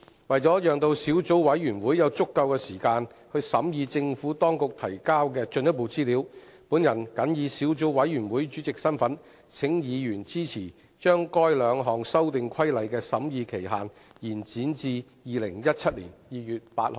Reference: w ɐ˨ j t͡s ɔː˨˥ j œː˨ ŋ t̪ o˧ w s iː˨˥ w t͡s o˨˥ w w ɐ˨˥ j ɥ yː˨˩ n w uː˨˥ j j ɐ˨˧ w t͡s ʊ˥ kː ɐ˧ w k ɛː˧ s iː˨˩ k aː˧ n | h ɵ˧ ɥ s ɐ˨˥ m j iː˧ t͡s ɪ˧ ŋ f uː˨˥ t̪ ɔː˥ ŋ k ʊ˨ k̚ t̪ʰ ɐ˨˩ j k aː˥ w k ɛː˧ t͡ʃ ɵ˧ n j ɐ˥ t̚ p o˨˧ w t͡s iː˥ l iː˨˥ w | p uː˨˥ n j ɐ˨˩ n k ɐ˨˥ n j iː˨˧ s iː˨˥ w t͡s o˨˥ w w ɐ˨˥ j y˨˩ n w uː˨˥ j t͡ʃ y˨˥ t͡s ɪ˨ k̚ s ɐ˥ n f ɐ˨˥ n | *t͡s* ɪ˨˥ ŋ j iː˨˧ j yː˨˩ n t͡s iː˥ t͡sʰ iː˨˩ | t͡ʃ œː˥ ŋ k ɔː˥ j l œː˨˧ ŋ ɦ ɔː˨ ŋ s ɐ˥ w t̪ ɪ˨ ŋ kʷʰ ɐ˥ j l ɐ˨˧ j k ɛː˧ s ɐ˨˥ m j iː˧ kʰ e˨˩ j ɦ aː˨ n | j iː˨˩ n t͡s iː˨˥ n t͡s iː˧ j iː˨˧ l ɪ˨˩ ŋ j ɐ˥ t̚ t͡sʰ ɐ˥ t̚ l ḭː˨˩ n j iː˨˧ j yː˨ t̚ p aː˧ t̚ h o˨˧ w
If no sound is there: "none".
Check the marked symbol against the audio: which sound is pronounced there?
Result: t͡sʰ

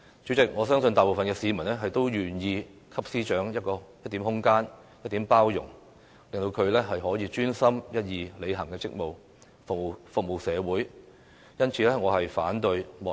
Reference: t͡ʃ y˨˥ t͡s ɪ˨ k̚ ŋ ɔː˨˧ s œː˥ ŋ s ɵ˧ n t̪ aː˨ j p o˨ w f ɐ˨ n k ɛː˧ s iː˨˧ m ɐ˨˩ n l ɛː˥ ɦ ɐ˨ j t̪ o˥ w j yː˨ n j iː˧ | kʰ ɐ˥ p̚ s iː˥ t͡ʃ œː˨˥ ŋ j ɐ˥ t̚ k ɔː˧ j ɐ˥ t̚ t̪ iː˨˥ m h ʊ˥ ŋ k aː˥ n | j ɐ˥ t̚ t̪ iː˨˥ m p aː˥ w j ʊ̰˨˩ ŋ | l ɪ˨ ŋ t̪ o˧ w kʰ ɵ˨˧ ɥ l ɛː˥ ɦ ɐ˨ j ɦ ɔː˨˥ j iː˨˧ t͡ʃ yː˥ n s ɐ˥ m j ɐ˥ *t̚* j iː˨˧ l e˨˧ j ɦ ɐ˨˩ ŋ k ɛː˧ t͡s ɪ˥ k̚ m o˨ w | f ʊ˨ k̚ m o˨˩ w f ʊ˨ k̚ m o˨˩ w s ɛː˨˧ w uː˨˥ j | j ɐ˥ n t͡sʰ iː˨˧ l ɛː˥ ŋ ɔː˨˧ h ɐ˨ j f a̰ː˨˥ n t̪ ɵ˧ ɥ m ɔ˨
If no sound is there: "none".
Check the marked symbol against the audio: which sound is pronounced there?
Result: t̚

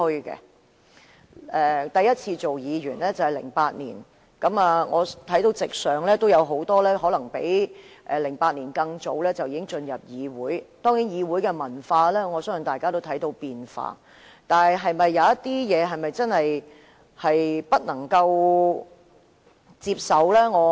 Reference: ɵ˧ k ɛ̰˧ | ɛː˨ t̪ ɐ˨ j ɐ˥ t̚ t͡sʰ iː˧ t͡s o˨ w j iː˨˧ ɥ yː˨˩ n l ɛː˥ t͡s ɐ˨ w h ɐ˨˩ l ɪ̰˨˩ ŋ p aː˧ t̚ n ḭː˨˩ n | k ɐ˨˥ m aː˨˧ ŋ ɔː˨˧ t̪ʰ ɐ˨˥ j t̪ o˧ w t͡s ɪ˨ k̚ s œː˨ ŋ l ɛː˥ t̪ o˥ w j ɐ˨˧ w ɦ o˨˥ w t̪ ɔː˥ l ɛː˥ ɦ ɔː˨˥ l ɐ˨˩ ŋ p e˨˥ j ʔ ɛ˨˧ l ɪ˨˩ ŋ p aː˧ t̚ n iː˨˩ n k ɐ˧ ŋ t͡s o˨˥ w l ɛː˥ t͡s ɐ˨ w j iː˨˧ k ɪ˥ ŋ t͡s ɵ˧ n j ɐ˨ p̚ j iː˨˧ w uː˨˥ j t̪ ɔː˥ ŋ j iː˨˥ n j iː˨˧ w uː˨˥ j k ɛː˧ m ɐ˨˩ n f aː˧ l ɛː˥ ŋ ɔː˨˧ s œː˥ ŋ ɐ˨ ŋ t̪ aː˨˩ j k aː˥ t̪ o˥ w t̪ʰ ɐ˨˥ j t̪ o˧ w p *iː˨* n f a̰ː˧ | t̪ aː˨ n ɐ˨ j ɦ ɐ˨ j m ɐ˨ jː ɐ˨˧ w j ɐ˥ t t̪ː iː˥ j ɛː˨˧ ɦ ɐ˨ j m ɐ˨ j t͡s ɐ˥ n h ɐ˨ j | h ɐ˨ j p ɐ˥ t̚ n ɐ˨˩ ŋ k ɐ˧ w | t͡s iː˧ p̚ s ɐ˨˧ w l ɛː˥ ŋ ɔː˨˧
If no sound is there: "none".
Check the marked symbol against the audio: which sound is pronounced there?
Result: iː˨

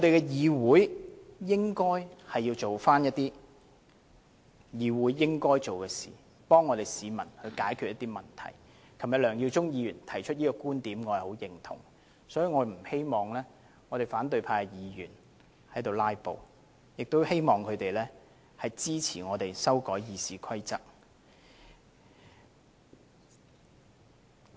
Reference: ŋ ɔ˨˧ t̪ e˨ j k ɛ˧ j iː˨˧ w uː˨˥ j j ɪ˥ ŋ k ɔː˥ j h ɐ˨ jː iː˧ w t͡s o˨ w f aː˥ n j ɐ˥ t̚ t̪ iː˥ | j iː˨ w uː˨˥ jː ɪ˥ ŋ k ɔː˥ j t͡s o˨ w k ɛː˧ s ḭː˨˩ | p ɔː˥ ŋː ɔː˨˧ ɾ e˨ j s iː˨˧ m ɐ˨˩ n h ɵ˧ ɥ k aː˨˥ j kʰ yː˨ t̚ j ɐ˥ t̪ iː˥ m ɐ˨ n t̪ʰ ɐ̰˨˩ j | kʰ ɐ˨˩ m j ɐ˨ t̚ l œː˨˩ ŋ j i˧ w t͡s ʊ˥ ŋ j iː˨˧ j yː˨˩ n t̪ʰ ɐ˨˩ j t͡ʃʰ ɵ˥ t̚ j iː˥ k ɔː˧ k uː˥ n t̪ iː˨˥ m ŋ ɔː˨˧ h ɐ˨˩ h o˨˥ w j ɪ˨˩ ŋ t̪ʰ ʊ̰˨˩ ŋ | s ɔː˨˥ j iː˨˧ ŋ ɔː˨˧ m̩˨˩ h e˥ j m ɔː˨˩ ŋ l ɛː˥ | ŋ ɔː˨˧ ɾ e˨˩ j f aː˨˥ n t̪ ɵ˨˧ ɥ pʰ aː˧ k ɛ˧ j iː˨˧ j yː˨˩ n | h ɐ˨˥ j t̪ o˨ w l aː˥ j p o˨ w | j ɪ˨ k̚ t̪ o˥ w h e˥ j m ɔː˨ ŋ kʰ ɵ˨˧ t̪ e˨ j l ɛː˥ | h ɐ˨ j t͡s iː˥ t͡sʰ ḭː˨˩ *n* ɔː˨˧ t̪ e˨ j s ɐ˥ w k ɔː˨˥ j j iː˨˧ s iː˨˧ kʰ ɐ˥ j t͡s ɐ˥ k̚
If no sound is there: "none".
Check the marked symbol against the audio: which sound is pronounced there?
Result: ŋ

